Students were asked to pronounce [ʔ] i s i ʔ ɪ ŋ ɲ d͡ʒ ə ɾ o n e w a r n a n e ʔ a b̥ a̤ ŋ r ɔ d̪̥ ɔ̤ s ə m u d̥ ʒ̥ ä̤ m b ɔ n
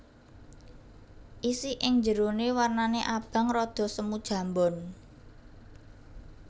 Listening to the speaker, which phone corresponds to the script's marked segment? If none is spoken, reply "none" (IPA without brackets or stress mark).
ʔ